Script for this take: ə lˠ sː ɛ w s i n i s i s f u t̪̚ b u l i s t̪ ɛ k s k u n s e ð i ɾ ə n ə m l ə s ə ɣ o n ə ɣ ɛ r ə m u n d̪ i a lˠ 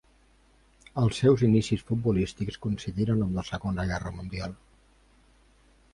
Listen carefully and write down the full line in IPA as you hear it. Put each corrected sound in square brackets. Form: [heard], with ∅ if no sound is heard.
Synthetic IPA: ə lˠ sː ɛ w [z] i n i s i s f u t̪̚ b u l i s t̪ [i] k s k u n s [i] ð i ɾ ə n ə m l ə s ə ɣ o n ə ɣ ɛ r ə m u n d̪ i a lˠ